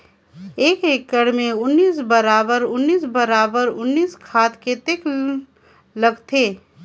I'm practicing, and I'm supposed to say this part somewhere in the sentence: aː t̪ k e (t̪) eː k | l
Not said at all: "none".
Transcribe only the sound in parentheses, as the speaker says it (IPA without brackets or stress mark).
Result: t̪